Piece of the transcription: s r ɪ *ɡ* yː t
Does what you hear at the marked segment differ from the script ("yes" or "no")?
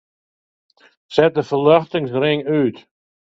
yes